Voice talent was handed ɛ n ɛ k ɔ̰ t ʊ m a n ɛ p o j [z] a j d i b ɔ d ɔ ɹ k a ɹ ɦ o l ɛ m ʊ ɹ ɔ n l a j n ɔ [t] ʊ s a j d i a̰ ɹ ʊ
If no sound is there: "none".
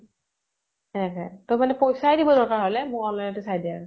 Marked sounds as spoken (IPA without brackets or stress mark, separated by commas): s, t